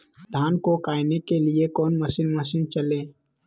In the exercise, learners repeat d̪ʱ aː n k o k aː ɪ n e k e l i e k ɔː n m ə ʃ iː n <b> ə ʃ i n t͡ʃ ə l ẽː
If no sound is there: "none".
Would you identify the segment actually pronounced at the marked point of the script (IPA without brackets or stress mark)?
m